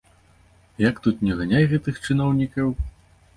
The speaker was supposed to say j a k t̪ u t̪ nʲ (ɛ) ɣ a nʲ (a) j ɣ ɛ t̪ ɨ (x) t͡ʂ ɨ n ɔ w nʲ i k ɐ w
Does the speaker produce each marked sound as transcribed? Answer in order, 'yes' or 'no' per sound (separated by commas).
yes, yes, yes